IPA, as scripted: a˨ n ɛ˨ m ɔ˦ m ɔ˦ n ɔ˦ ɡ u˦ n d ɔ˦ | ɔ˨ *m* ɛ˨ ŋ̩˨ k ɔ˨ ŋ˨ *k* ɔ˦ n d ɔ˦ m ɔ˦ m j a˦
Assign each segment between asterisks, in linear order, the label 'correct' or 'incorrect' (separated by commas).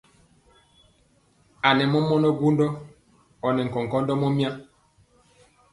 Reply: incorrect, correct